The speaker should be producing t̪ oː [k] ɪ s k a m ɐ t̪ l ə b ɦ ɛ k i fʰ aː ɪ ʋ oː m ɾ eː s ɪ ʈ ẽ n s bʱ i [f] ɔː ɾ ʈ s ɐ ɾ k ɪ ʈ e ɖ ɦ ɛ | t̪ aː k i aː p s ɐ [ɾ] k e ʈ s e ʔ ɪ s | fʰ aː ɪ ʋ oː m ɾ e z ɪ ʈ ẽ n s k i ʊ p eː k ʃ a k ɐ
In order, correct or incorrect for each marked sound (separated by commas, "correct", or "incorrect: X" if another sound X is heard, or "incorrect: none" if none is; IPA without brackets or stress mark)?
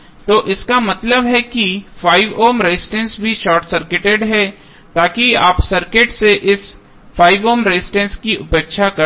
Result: incorrect: ʔ, incorrect: ʃ, correct